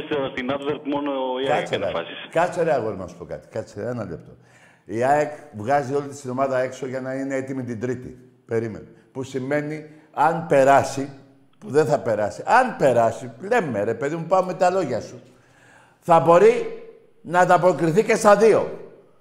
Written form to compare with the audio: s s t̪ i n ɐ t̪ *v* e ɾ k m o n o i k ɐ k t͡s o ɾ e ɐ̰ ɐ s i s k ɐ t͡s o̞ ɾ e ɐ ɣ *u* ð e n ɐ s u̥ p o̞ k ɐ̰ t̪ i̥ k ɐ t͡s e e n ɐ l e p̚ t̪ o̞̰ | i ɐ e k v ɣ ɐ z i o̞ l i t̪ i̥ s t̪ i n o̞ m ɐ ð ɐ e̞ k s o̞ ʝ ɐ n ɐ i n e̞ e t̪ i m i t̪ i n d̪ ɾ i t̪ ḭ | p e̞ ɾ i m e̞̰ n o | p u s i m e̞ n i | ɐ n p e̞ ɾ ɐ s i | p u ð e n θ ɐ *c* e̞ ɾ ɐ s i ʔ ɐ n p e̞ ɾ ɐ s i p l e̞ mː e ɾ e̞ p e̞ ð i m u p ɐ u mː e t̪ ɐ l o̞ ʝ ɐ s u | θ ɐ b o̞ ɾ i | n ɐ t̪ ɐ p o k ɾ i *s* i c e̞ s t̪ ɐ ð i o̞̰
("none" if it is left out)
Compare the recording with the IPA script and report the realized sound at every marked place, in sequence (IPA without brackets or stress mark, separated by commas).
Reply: v, o, p, θ